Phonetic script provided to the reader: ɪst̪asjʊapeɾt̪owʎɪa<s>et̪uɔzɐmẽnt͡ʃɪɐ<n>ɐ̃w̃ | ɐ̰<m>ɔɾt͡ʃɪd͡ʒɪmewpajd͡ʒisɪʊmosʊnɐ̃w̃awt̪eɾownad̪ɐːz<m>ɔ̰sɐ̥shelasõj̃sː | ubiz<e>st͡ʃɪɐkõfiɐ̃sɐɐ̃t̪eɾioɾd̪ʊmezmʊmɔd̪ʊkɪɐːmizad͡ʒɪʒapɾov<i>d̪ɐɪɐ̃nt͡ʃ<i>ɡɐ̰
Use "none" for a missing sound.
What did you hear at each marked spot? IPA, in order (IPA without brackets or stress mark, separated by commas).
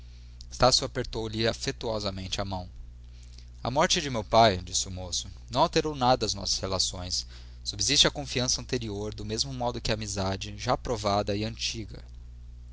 f, m, m, n, i, a, i